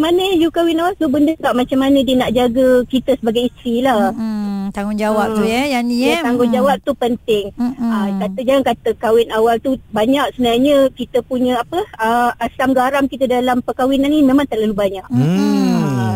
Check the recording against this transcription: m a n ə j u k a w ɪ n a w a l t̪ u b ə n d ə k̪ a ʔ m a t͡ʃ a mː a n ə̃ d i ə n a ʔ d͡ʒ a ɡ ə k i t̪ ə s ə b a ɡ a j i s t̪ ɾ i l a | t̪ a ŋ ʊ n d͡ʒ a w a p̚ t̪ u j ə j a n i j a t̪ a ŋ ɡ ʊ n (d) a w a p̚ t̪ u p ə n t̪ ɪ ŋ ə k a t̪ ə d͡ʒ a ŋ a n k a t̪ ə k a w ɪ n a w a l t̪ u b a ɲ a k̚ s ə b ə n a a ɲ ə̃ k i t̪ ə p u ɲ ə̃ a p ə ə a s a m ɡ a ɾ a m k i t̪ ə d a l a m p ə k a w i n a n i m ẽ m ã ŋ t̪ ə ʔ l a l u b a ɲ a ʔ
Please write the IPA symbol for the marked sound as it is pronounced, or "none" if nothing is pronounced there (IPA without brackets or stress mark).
d͡ʒ